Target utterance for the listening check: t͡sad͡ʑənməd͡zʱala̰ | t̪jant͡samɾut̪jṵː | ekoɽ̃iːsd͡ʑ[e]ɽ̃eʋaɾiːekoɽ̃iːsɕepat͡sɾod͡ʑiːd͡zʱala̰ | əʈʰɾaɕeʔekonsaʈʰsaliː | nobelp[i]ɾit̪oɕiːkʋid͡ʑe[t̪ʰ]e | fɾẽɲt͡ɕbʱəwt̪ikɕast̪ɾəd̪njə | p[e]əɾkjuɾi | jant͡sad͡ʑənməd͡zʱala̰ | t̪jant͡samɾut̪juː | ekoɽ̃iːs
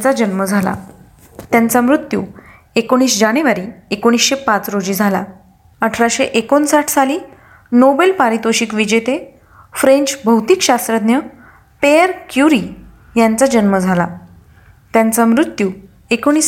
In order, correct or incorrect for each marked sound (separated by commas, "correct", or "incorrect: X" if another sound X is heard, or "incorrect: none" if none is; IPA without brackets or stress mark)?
incorrect: a, incorrect: a, incorrect: t̪, correct